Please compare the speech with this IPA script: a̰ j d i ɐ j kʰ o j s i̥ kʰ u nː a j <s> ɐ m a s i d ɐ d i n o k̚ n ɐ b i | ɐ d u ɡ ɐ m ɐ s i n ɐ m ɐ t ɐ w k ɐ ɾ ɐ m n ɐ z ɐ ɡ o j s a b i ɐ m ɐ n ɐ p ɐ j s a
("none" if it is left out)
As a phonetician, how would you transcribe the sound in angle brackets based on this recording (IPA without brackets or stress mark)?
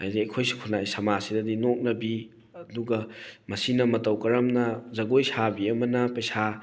s